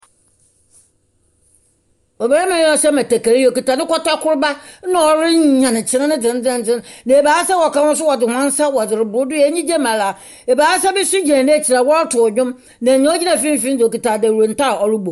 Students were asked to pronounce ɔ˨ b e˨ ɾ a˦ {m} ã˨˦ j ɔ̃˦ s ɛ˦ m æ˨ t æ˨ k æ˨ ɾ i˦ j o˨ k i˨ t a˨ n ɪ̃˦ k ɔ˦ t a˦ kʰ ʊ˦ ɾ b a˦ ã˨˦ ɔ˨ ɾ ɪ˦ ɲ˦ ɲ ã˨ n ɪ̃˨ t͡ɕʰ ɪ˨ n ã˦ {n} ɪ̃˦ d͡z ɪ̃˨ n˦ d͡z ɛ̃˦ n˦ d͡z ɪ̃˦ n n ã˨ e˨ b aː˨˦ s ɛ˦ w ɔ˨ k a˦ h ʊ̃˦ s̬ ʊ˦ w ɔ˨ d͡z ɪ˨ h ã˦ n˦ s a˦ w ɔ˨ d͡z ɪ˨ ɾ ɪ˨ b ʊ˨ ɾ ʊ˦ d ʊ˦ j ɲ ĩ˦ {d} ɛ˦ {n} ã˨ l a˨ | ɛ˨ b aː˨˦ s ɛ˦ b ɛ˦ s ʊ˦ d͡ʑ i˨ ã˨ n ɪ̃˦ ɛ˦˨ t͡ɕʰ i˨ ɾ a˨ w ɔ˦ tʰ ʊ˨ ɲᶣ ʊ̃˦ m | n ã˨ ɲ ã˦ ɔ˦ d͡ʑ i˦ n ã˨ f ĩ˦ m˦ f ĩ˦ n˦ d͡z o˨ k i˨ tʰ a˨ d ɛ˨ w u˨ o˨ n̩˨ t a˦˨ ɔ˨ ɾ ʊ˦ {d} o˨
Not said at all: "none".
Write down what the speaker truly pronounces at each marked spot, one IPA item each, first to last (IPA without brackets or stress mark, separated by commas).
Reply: m, n, d͡ʑ, m, b